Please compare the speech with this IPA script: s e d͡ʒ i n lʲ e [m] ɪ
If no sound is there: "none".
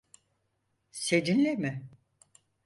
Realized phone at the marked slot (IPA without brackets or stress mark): m